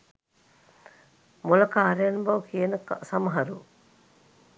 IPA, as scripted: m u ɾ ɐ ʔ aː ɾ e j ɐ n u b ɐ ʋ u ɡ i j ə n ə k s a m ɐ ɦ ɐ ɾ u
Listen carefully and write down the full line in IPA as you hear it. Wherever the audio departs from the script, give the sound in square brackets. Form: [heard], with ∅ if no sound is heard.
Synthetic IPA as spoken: m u [l] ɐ [k] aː ɾ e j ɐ n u b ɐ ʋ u [k] i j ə n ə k s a m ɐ ɦ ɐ ɾ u

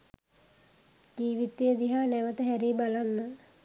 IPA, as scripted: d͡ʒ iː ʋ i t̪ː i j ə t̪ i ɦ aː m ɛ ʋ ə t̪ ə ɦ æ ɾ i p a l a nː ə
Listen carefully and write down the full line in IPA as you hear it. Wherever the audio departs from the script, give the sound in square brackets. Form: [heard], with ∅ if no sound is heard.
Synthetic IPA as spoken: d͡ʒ iː ʋ i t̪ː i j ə [d̪] i ɦ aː [n] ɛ ʋ ə t̪ ə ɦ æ ɾ i [b] a l a nː ə

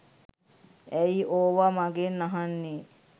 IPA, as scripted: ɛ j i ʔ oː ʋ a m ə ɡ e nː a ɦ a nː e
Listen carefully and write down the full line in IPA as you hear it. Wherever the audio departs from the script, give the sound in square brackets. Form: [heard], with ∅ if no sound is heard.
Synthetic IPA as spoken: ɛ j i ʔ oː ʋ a m [a] ɡ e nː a ɦ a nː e

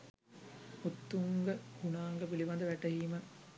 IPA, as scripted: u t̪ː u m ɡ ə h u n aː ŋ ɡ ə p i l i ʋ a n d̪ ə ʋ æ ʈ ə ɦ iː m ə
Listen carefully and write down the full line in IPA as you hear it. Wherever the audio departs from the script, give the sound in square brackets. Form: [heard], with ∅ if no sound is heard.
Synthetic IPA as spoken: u t̪ː u [ŋ] ɡ ə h u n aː ŋ ɡ ə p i l i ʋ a n d̪ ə ʋ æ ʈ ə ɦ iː m ə

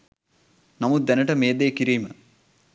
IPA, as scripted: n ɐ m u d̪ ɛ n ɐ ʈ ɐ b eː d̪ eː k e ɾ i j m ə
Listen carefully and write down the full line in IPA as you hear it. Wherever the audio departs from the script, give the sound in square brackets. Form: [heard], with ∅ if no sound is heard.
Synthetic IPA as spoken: n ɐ m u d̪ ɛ n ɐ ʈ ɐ [m] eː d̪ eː k [i] ɾ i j m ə

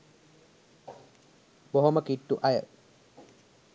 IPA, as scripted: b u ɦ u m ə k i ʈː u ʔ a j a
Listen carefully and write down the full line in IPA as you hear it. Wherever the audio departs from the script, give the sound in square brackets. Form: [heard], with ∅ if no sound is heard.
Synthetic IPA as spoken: b [o] ɦ [o] m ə k i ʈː u ʔ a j [ə]

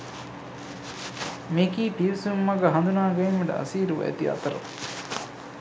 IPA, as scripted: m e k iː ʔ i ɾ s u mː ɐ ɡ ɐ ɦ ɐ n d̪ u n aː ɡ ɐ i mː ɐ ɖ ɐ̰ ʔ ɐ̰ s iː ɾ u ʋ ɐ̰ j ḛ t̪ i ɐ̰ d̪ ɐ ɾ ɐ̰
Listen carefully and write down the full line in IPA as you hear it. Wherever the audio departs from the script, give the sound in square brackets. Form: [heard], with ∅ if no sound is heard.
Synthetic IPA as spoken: m e k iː [p] i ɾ s u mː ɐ ɡ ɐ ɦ ɐ n d̪ u n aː ɡ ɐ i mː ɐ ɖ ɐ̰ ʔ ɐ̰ s iː ɾ u ʋ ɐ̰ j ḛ t̪ i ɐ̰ [t̪] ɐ ɾ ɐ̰

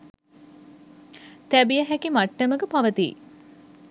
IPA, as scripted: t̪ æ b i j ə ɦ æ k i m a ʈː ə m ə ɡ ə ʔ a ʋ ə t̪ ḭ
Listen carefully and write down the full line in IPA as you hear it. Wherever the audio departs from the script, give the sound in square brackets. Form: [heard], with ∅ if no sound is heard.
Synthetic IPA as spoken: t̪ æ b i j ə ɦ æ k i m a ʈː ə m ə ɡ ə [p] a ʋ ə t̪ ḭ

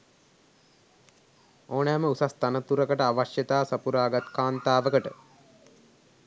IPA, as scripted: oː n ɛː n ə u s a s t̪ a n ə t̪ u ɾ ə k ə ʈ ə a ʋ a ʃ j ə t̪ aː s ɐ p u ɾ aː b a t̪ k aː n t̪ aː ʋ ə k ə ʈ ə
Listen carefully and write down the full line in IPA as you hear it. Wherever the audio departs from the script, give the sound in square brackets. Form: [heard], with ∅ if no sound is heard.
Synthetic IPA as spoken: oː n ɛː [m] ə u s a s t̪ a n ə t̪ u ɾ ə k ə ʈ ə a ʋ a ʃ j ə t̪ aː s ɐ p u ɾ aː [ɡ] a t̪ k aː n t̪ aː ʋ ə k ə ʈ ə

